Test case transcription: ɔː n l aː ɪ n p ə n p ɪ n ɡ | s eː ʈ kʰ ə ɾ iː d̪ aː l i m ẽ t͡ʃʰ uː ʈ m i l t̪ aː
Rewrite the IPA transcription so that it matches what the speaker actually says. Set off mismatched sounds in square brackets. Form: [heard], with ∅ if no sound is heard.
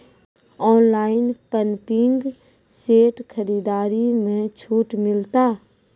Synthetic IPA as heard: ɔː n l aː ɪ n p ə n p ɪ [ŋ] ɡ | s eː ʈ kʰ ə ɾ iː d̪ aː [ɾ] i m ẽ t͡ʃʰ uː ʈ m [ɪ] l t̪ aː